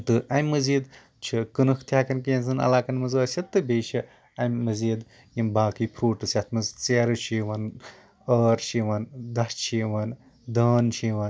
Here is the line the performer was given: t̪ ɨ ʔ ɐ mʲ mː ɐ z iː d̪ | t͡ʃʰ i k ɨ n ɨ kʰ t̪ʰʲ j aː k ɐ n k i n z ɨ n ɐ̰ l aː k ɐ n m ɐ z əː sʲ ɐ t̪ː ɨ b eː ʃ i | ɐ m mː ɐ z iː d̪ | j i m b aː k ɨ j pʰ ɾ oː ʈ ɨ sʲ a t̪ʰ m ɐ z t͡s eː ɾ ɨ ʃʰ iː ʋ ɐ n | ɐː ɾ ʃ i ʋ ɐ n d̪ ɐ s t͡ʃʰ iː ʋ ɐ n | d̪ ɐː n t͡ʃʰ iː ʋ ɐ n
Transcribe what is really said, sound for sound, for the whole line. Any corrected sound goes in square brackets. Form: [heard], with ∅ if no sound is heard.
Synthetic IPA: t̪ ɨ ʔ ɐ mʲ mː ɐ z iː d̪ | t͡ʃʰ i k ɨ n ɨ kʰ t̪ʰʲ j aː k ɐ n k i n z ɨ n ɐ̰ l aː k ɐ n m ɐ z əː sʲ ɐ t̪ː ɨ b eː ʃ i | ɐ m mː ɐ z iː d̪ | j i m b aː k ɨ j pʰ ɾ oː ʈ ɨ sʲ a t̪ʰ m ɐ z t͡s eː ɾ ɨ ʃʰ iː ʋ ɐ n | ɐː ɾ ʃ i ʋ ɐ n d̪ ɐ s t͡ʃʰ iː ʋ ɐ n | d̪ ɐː n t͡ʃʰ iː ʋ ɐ n

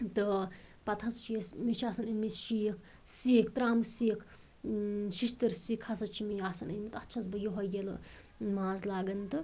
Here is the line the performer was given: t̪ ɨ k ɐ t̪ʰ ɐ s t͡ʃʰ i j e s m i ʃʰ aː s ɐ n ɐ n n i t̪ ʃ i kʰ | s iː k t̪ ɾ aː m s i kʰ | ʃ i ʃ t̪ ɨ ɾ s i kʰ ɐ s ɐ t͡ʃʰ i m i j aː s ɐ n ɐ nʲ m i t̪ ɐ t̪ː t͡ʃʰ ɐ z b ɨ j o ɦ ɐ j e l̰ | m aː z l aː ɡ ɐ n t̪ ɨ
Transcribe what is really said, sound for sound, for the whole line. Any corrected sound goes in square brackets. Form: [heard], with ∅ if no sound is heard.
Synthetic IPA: t̪ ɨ [p] ɐ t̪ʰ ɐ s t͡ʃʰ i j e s m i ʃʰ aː s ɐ n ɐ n [m] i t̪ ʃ i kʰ | s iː k t̪ ɾ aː m s i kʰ | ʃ i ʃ t̪ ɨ ɾ s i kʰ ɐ s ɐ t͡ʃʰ i m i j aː s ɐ n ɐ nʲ m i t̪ ɐ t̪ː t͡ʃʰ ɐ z b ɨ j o ɦ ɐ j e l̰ | m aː z l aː ɡ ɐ n t̪ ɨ

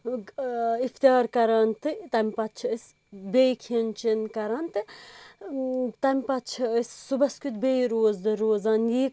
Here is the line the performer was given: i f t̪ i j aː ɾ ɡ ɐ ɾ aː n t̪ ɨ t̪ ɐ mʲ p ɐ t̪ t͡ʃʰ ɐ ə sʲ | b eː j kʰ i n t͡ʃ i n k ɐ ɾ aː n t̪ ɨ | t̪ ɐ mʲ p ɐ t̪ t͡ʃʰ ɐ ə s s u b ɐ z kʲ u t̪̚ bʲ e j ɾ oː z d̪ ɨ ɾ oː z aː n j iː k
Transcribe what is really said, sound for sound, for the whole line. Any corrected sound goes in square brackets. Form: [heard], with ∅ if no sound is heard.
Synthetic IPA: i f t̪ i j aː ɾ [k] ɐ ɾ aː n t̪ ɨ t̪ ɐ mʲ p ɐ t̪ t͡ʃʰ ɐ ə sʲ | b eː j kʰ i n t͡ʃ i n k ɐ ɾ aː n t̪ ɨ | t̪ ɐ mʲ p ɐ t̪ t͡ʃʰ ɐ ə s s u b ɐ [s] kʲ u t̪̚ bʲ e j ɾ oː z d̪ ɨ ɾ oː z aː n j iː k

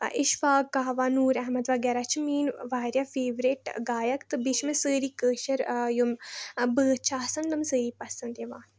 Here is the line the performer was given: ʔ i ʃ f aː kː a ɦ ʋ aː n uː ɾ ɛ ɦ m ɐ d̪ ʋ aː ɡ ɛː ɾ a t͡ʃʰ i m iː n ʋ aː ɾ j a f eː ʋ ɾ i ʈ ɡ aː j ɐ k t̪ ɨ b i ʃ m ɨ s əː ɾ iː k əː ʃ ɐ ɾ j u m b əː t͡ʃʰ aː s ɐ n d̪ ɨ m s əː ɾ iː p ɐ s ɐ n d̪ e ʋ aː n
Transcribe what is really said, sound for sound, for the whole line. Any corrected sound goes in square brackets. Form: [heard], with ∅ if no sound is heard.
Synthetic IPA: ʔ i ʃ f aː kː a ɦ ʋ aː n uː ɾ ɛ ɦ m ɐ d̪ ʋ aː ɡ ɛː ɾ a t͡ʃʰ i m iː n ʋ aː ɾ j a f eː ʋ ɾ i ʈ ɡ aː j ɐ k t̪ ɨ b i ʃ m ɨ s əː ɾ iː k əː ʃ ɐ ɾ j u m b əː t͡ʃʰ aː s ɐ n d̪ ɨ m s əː ɾ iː p ɐ s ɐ n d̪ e ʋ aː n

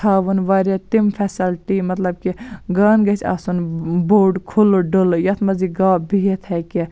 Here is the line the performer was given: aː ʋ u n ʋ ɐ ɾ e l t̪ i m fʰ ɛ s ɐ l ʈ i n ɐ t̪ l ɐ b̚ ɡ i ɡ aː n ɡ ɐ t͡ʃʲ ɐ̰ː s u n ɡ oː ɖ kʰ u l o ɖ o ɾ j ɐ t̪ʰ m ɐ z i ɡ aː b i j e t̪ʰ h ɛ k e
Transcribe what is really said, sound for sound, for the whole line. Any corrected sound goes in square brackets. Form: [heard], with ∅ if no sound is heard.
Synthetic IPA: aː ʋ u n ʋ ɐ ɾ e [∅] t̪ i m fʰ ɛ s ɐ l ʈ i [m] ɐ t̪ l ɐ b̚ [k] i ɡ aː n ɡ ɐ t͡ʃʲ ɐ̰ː s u n [b] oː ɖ kʰ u l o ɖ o [l] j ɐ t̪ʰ m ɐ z i ɡ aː b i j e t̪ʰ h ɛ k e

